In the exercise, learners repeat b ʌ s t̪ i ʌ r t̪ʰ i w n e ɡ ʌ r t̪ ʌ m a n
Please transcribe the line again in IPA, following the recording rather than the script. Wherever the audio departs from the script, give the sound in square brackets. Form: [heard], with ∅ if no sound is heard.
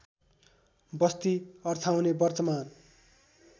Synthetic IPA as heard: b ʌ s t̪ i ʌ r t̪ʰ [a] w n e [b] ʌ r t̪ ʌ m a n